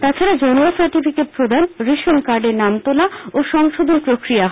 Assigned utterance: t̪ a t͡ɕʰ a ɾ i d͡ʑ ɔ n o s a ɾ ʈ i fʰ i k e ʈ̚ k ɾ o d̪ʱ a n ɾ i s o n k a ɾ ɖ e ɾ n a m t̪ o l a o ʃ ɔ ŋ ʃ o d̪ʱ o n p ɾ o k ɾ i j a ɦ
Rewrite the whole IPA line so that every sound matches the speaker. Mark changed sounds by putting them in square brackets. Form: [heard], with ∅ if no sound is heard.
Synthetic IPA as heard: t̪ a t͡ɕʰ a ɾ [a] d͡ʑ ɔ n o s a ɾ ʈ i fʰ i k e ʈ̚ [p] ɾ o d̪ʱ a n ɾ i [ʃ] o n k a ɾ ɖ e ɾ n a m t̪ o l a o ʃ ɔ ŋ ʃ o d̪ʱ o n p ɾ o k ɾ i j a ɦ